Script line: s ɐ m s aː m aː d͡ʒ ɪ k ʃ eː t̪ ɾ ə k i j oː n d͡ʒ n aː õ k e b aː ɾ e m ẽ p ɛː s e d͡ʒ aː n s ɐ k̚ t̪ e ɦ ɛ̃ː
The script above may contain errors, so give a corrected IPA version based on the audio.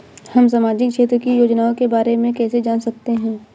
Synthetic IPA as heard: h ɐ m s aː m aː d͡ʒ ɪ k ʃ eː t̪ ɾ ə k i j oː d͡ʒ n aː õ k e b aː ɾ e m ẽ k ɛː s e d͡ʒ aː n s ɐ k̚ t̪ e ɦ ɛ̃ː